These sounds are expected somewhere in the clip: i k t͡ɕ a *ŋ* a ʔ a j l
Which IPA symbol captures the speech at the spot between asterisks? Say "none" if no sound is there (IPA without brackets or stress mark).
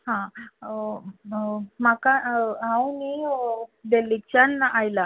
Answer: n